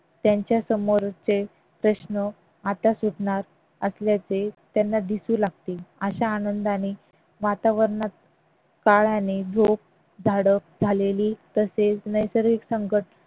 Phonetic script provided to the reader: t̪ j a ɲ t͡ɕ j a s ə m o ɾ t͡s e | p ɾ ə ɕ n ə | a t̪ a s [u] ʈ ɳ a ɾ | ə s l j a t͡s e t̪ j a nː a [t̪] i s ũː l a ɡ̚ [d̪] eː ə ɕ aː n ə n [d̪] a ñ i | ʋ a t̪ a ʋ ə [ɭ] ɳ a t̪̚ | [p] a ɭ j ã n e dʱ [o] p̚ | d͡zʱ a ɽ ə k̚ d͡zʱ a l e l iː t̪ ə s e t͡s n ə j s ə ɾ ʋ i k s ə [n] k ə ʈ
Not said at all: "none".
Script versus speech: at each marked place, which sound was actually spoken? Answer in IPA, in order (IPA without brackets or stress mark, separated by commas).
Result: u, d̪, t̪, d̪, ɾ, k, o, ŋ